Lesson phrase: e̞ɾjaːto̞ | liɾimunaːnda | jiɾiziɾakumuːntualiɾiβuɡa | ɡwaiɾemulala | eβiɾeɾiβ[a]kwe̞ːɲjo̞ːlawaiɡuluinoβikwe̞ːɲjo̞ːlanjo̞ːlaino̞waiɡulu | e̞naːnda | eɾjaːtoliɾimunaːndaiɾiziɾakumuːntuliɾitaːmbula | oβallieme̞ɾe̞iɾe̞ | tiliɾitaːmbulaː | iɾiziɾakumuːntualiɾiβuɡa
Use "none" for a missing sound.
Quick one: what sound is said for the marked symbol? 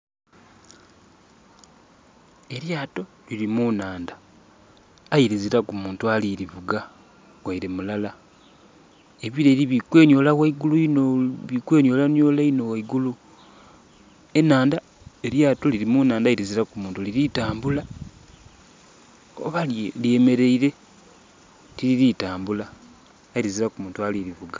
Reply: i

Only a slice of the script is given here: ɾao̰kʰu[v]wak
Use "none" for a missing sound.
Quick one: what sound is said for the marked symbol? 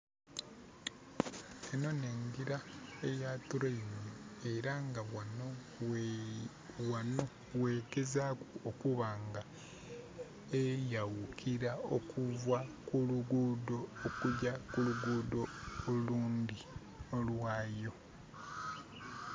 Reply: v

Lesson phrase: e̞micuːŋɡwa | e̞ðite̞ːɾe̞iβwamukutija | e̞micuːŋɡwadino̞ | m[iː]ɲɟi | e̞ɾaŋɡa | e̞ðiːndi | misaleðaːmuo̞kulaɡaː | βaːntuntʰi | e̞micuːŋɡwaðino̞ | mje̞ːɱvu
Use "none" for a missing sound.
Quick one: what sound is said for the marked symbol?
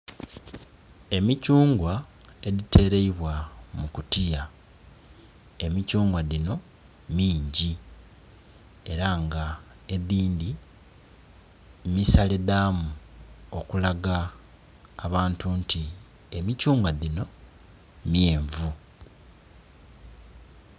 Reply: iː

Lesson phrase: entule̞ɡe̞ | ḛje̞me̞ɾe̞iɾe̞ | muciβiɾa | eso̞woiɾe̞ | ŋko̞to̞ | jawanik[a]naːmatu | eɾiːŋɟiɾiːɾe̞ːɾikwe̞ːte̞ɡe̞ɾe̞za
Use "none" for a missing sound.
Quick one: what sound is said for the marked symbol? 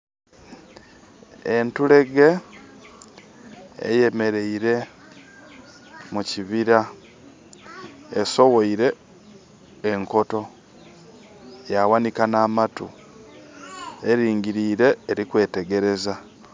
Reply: a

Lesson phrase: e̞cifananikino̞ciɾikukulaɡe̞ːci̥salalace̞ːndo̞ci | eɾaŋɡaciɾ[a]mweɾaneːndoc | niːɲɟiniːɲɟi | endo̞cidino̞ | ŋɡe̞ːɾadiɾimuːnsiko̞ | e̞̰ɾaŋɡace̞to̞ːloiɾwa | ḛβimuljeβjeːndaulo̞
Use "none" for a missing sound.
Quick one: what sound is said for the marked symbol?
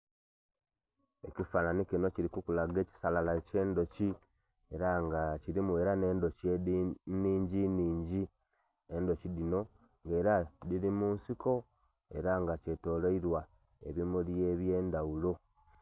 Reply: i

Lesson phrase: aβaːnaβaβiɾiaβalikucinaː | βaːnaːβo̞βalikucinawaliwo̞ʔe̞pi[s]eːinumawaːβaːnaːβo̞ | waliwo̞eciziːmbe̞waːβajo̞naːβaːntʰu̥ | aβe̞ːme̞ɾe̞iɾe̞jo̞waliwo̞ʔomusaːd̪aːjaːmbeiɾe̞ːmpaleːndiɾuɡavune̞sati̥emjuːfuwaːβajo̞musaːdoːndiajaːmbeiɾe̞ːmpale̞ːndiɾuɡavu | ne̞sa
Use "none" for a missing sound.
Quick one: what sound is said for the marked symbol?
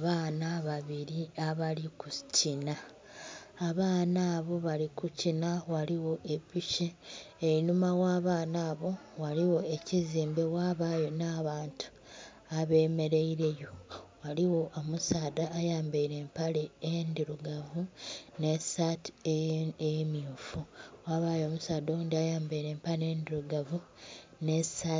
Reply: ʃ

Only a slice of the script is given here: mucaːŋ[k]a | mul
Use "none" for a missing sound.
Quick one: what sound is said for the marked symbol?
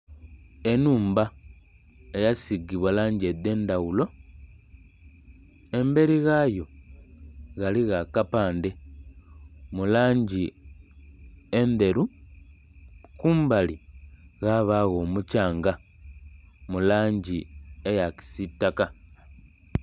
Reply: ɡ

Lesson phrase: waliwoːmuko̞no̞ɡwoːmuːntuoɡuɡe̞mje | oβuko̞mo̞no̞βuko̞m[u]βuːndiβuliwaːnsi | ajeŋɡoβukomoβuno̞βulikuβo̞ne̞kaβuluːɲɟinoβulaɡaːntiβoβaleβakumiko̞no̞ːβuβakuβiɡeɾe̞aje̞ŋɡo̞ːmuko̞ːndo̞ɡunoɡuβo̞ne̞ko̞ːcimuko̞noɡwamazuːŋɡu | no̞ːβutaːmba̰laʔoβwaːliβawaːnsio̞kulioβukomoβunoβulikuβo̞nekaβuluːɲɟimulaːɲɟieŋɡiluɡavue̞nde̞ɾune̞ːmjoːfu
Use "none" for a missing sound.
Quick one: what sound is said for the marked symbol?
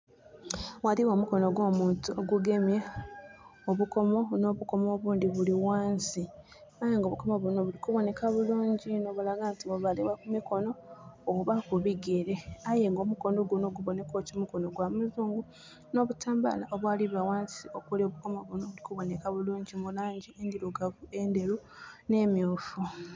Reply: o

